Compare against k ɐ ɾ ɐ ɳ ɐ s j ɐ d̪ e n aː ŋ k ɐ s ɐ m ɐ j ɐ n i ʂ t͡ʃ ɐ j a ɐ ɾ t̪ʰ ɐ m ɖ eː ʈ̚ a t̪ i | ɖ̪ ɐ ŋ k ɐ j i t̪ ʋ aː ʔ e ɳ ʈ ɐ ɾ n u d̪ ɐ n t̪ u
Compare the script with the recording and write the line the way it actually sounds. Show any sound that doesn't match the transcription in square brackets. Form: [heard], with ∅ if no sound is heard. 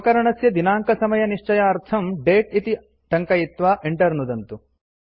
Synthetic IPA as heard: k ɐ ɾ ɐ ɳ ɐ s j ɐ d̪ [i] n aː ŋ k ɐ s ɐ m ɐ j ɐ n i ʂ t͡ʃ ɐ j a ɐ ɾ t̪ʰ ɐ m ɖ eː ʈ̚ [i] t̪ i | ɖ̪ ɐ ŋ k ɐ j i t̪ ʋ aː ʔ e ɳ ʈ ɐ ɾ n u d̪ ɐ n t̪ u